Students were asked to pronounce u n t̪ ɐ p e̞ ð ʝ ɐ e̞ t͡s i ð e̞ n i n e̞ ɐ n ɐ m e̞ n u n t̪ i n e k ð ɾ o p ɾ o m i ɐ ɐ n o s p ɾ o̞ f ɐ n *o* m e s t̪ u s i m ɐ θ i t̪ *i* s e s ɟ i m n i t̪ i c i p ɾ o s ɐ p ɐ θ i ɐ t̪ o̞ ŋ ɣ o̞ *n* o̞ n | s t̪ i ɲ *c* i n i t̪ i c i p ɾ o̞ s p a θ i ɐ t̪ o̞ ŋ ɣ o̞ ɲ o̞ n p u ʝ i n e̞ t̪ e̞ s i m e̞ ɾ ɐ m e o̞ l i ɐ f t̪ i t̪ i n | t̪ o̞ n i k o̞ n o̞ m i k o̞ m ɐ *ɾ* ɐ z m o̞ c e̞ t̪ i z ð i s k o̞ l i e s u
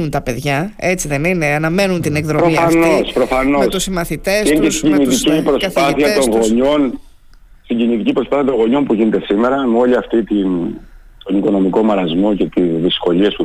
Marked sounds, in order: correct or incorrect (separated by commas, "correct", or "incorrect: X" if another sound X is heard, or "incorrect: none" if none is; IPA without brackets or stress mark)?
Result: correct, incorrect: e, incorrect: ɲ, incorrect: ɟ, correct